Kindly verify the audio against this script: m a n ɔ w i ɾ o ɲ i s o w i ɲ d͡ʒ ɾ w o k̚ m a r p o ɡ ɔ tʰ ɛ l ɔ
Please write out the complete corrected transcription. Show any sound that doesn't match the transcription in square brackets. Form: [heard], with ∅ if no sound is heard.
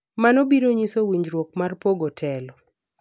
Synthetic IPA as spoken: m a n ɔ [b] i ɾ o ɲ i s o w i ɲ d͡ʒ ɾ w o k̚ m a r p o ɡ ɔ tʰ ɛ l ɔ